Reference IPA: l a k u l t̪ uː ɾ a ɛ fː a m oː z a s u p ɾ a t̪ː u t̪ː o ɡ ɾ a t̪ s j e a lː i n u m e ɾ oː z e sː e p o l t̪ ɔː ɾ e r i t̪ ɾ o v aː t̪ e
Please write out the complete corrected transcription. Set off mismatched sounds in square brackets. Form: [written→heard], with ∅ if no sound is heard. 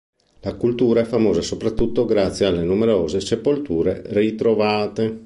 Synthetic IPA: l a k u l t̪ uː ɾ a ɛ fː a m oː z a s [u→o] p ɾ a t̪ː u t̪ː o ɡ ɾ a t̪ s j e a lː [i→e] n u m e ɾ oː z e [sː→s] e p o l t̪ [ɔː→uː] ɾ e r i t̪ ɾ o v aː t̪ e